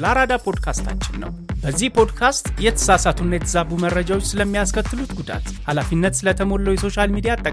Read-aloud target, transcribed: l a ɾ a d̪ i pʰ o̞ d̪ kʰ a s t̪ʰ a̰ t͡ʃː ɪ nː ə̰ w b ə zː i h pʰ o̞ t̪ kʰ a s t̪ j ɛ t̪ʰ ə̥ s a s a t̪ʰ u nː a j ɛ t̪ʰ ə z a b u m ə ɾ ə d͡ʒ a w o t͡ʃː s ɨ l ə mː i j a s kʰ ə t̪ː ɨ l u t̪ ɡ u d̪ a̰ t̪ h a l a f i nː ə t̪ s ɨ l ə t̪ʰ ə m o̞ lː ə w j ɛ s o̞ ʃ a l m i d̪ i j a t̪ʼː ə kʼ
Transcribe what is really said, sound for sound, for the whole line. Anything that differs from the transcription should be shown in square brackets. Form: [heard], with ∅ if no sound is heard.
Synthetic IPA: l a ɾ a d̪ [a] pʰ o̞ d̪ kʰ a s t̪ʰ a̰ t͡ʃː ɪ nː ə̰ w b ə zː i h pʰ o̞ [d̪] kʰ a s t̪ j ɛ t̪ʰ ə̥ s a s a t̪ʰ u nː a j ɛ t̪ʰ ə z a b u m ə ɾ ə d͡ʒ a w o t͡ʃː s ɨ l ə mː i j a s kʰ ə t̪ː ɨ l u t̪ ɡ u d̪ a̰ t̪ h a l a f i nː ə t̪ s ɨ l ə t̪ʰ ə m o̞ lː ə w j ɛ s o̞ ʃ a l m i d̪ i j a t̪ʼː ə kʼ